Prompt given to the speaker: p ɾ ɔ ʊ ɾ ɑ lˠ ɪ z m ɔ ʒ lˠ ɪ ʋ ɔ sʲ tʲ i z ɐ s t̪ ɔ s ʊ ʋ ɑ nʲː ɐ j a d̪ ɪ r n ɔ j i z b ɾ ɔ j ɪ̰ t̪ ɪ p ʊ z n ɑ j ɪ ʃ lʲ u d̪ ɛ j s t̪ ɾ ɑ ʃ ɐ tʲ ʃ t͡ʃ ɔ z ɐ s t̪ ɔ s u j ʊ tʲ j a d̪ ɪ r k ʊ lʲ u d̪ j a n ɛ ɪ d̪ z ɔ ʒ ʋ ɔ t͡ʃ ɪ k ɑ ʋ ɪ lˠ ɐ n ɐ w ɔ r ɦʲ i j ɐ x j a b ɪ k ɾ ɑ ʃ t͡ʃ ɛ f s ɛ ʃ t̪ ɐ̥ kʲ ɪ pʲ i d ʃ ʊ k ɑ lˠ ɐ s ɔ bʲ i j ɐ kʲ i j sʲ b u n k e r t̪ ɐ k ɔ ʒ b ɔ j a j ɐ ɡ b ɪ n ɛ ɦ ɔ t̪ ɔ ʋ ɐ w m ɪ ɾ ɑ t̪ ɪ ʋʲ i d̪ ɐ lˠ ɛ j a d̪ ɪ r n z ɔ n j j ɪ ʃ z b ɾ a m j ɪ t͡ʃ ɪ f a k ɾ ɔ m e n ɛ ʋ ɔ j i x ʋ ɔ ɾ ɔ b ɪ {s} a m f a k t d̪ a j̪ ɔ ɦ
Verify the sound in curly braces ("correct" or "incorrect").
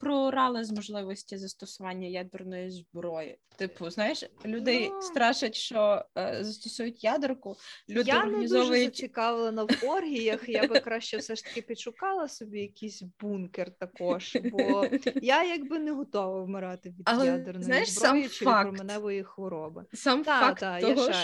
correct